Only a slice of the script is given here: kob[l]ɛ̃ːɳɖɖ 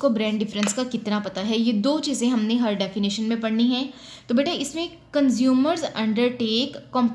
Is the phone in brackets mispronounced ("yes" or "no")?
yes